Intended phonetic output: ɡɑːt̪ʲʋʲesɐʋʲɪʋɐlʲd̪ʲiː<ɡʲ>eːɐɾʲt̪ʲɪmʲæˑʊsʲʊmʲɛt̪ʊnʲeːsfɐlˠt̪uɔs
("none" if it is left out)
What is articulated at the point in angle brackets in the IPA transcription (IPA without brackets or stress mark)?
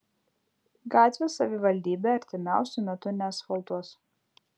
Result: bʲ